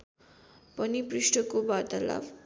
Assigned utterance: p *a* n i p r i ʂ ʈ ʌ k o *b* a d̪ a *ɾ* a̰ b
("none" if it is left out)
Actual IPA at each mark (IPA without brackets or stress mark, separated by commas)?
ʌ, b, l